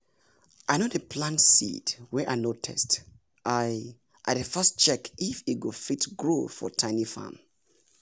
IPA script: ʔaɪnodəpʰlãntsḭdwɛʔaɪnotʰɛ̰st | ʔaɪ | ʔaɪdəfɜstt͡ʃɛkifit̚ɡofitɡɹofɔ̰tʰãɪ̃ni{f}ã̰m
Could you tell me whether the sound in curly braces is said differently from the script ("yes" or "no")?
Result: no